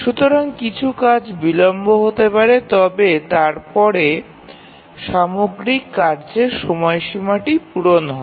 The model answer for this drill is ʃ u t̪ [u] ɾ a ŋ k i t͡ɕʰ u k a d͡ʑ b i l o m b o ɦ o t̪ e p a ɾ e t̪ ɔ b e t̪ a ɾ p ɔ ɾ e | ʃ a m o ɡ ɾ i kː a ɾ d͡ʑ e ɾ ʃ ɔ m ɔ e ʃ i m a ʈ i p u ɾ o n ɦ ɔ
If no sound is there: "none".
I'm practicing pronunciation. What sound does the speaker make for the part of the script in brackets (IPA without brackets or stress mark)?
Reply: o